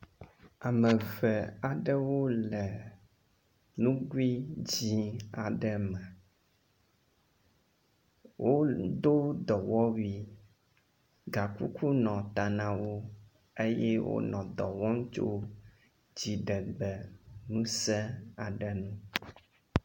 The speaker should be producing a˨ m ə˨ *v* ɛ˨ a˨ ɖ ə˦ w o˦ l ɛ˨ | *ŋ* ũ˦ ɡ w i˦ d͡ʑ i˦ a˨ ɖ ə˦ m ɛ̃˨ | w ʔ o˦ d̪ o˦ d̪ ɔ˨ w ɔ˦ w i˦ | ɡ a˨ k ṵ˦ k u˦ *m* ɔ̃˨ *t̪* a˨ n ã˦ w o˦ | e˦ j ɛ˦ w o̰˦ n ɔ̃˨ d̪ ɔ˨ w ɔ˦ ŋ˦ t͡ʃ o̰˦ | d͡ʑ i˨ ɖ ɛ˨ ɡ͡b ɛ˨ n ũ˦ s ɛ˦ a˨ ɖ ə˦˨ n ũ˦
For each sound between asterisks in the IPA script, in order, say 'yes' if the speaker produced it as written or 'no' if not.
yes, no, no, yes

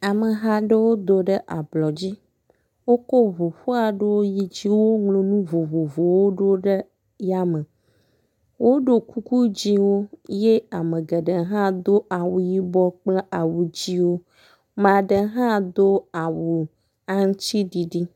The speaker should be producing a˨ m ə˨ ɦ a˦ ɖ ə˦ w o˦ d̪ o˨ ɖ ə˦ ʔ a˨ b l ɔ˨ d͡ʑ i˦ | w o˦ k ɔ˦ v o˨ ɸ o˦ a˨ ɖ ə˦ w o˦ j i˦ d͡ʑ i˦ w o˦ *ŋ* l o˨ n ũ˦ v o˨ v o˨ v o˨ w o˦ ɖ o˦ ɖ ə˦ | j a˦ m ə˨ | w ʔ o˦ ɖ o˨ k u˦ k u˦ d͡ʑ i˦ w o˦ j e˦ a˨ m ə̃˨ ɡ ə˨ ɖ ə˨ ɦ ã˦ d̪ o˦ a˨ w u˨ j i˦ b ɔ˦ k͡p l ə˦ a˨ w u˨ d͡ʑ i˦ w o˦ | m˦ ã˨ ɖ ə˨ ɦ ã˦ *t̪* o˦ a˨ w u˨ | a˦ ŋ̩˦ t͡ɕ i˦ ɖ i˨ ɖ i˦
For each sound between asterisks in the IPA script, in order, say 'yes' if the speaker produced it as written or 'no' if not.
yes, no

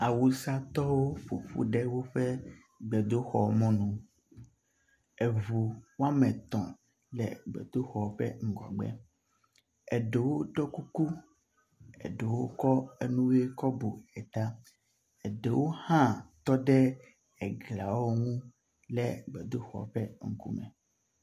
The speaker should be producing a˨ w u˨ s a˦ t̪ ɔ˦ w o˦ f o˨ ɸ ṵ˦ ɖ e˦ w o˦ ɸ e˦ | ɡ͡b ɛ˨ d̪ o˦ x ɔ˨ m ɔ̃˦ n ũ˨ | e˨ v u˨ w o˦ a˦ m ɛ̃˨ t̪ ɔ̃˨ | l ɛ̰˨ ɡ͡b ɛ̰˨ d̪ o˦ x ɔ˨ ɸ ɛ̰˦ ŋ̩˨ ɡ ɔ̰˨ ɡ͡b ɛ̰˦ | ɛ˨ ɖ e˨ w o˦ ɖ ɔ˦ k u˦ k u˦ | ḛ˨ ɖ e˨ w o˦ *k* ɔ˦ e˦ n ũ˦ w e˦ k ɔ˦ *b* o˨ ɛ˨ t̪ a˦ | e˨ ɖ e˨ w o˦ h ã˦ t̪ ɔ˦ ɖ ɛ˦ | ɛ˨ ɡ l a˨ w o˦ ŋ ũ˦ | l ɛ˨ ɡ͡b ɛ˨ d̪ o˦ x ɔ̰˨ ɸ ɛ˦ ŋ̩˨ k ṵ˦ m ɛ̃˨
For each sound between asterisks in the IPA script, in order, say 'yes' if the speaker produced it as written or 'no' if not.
yes, yes

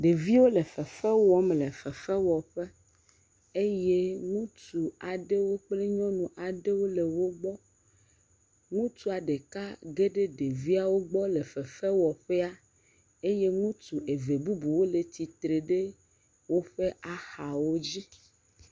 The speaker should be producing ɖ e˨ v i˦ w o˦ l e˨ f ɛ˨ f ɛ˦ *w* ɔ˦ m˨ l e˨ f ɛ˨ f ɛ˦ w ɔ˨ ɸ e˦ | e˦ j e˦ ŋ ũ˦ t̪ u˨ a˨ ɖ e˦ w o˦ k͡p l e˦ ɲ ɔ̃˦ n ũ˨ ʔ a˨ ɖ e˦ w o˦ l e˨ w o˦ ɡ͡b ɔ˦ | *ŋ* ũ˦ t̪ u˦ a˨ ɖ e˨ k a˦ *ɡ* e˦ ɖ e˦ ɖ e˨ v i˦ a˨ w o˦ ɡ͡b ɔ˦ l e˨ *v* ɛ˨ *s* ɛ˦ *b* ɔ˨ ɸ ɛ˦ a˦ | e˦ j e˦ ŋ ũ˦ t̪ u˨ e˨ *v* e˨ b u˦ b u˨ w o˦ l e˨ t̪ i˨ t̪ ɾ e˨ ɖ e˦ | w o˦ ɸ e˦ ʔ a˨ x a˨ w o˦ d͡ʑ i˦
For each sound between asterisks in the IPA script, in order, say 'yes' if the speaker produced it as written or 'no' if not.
yes, yes, yes, no, no, no, yes

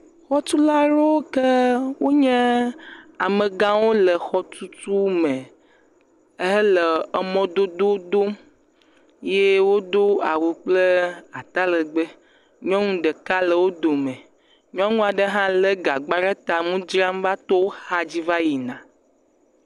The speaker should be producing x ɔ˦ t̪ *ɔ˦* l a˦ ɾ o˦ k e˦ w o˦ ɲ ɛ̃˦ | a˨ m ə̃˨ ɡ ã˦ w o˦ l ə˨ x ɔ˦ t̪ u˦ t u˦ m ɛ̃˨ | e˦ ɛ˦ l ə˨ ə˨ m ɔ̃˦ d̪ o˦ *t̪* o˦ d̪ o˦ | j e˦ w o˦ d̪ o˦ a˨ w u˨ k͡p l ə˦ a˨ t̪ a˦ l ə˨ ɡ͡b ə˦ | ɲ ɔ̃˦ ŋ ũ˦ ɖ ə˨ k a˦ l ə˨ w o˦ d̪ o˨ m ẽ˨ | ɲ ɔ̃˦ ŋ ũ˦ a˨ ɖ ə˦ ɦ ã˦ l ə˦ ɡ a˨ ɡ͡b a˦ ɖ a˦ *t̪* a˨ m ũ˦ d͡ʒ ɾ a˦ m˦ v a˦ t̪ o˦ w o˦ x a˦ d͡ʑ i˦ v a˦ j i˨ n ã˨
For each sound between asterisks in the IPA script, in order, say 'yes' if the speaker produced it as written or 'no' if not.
no, no, yes

